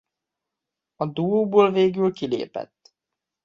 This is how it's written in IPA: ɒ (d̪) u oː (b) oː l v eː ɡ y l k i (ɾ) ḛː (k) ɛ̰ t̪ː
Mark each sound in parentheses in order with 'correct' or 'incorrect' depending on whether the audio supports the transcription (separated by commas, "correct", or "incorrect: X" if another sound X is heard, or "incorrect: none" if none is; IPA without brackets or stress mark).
correct, correct, incorrect: l, incorrect: p